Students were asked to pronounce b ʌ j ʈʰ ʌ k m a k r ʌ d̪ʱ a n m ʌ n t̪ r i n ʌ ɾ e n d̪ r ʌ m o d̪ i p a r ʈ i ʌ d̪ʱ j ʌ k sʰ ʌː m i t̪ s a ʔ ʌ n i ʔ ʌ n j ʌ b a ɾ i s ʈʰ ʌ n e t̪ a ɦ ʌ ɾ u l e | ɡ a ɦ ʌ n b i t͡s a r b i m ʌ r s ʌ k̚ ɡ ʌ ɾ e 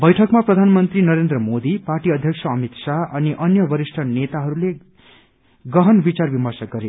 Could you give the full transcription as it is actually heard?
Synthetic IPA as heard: b ʌ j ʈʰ ʌ k m a p r ʌ d̪ʱ a n m ʌ n t̪ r i n ʌ ɾ e n d̪ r ʌ m o d̪ i p a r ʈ i ʌ d̪ʱ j ʌ k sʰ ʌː m i t̪ s a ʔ ʌ n i ʔ ʌ n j ʌ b ʌ ɾ i s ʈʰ ʌ n e t̪ a ɦ ʌ ɾ u l e | ɡ ʌ ɦ ʌ n b i t͡s a r b i m ʌ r s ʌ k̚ ɡ ʌ ɾ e